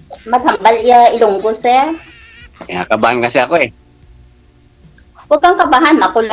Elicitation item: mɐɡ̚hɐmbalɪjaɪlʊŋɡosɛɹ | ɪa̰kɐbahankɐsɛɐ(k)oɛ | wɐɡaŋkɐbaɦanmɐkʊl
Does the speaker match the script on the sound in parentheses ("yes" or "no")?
yes